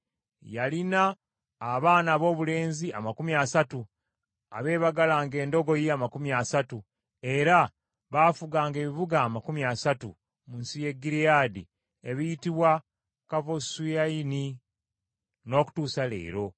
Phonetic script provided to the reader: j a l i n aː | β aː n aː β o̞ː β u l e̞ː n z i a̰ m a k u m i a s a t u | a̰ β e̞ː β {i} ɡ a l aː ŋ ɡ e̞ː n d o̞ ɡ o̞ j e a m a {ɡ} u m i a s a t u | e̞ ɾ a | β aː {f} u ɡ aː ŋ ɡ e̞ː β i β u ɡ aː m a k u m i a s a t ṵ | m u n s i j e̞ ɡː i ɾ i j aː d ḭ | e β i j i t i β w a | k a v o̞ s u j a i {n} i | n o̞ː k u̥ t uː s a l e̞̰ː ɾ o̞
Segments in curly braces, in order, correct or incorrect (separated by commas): incorrect, incorrect, correct, correct